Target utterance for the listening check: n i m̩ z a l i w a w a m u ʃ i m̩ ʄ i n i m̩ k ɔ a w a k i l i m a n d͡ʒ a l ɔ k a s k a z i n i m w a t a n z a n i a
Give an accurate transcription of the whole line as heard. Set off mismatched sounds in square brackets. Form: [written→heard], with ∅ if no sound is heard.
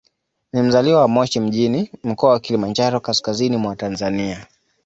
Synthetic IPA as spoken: n i m̩ z a l i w a w a m [u→ɔ] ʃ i m̩ ʄ i n i m̩ k ɔ a w a k i l i m a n d͡ʒ a [l→ɾ] ɔ k a s k a z i n i m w a t a n z a n i a